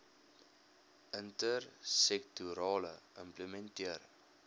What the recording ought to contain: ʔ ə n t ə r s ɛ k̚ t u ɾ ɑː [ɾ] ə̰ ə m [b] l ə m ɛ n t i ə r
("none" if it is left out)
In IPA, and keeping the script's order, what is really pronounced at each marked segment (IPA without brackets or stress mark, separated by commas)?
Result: l, p